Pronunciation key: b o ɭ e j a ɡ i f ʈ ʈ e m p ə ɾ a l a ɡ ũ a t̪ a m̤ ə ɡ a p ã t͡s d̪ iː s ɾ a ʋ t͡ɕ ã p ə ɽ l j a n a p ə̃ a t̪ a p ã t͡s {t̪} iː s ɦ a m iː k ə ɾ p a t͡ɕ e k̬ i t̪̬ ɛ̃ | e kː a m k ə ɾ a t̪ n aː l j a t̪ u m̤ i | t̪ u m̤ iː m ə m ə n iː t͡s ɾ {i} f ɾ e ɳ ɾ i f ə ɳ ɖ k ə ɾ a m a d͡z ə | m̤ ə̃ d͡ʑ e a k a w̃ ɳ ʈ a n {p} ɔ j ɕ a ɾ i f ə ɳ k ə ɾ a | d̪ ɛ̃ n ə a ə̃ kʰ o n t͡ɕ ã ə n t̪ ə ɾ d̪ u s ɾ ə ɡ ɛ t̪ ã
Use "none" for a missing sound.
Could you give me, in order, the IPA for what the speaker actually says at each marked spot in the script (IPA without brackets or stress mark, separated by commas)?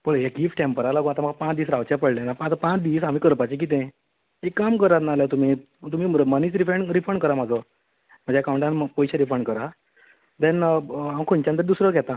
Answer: d̪, i, p